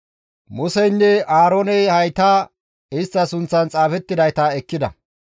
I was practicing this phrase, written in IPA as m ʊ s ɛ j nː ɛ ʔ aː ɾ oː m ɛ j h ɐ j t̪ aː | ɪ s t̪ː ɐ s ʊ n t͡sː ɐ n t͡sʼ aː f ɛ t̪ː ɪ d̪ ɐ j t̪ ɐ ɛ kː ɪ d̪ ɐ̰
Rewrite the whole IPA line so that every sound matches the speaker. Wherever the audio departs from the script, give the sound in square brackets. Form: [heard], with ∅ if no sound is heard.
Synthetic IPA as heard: m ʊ s ɛ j nː ɛ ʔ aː ɾ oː [n] ɛ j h ɐ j t̪ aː | ɪ s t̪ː ɐ s ʊ n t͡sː ɐ n t͡sʼ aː f ɛ t̪ː ɪ d̪ ɐ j t̪ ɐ ɛ kː ɪ d̪ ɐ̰